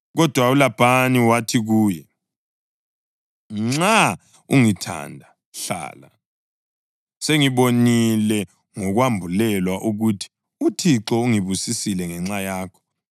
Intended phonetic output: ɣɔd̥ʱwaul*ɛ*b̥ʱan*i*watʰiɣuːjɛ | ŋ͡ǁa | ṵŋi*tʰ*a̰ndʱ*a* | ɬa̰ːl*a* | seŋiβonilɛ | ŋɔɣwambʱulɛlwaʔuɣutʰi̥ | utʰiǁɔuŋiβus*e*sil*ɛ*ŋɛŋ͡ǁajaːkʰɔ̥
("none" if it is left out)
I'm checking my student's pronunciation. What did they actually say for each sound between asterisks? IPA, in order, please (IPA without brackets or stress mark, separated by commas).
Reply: a, i, tʰ, a, a, i, ɛ